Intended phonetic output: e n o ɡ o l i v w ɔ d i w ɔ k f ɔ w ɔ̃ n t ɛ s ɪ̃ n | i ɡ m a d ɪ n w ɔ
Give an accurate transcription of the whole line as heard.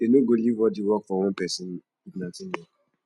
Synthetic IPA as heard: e n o ɡ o l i v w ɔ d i w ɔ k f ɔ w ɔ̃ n p ɛ s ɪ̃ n | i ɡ n a t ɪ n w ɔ